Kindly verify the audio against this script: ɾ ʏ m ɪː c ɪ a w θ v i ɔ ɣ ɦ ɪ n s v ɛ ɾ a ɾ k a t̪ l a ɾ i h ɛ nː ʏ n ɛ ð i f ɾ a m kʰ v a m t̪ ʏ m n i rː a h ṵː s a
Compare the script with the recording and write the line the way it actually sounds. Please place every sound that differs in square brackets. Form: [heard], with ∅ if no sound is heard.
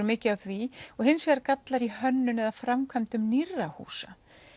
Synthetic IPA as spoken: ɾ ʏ m ɪː c ɪ a w θ v i ɔ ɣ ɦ ɪ n s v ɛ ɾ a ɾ k a t̪ l a ɾ i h [œ] nː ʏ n ɛ ð [a] f ɾ a m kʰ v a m t̪ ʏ m n i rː a h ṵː s a